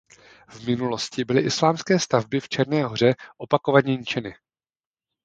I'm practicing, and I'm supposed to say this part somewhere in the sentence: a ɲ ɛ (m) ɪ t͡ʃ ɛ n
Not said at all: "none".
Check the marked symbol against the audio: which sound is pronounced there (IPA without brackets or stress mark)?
ɲ